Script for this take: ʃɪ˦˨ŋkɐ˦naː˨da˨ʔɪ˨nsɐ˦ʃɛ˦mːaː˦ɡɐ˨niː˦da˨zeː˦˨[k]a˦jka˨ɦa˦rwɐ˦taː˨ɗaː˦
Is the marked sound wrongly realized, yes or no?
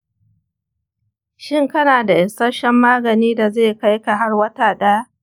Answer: no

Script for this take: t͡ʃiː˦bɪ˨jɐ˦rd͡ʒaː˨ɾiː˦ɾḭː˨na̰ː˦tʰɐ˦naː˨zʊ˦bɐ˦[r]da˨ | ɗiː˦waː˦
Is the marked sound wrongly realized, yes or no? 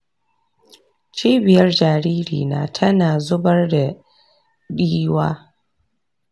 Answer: no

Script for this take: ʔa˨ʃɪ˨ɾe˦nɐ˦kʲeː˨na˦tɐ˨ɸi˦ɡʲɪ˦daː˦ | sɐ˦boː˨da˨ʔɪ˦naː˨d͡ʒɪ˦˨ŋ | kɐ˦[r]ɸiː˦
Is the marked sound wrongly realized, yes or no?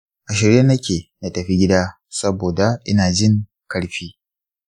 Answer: yes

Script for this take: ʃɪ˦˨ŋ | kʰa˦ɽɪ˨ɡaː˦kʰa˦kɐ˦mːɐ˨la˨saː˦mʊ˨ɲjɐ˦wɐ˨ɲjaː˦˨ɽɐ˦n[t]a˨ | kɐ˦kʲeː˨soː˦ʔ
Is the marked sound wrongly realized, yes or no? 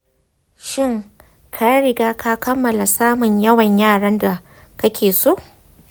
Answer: yes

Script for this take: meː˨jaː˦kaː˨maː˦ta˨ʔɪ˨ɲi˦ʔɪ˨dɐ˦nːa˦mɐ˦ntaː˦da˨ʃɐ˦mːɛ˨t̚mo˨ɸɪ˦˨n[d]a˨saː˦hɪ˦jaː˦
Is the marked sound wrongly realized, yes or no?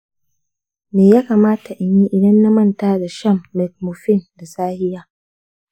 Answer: no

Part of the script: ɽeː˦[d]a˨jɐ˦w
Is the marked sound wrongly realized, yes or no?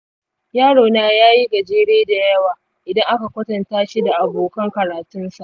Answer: no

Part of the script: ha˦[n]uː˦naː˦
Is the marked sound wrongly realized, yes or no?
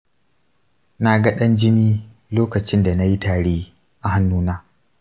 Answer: yes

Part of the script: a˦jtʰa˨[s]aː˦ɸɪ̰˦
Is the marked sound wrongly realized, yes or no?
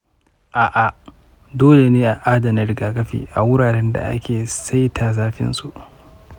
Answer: yes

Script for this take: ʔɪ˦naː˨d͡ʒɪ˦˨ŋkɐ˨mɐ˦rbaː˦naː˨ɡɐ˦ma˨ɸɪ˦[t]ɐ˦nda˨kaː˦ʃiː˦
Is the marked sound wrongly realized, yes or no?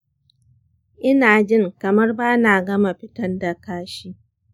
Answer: no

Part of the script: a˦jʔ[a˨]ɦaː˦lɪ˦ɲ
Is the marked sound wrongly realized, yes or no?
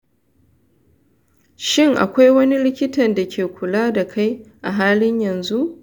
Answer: no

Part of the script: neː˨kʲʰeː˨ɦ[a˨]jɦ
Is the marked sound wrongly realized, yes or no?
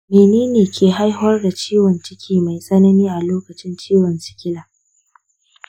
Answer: yes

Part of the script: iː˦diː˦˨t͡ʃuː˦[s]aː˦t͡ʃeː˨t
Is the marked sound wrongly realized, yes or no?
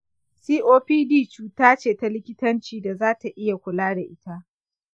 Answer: yes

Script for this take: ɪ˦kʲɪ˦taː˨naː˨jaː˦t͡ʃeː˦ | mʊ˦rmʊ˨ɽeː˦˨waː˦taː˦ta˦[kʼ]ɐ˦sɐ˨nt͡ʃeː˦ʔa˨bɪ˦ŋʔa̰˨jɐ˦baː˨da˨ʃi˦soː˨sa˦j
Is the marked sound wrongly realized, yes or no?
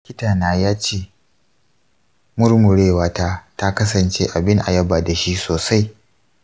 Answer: yes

